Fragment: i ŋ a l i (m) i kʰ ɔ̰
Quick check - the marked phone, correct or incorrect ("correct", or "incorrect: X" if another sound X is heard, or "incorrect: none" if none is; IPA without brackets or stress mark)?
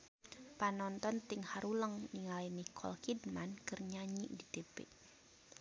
incorrect: n